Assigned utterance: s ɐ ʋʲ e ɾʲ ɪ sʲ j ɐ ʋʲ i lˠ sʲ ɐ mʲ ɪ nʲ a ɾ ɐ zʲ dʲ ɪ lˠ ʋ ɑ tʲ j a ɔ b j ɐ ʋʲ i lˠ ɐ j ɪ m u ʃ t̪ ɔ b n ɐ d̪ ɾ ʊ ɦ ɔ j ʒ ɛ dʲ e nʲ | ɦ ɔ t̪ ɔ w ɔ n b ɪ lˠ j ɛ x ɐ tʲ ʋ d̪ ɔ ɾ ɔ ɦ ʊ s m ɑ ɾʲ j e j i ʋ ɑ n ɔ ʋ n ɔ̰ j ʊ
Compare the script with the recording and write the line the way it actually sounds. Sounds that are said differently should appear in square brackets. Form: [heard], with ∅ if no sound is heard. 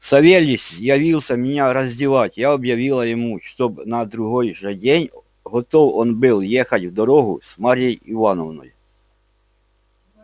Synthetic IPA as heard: s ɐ ʋʲ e [lʲ] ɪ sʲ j ɐ ʋʲ i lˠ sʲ ɐ mʲ ɪ nʲ a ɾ ɐ zʲ dʲ ɪ [∅] ʋ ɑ tʲ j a ɔ b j ɐ ʋʲ i lˠ ɐ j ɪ m u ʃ t̪ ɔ b n ɐ d̪ ɾ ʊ ɦ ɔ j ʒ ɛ dʲ e nʲ | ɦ ɔ t̪ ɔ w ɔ n b ɪ lˠ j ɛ x ɐ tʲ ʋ d̪ ɔ ɾ ɔ ɦ ʊ s m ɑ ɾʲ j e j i ʋ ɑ n ɔ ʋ n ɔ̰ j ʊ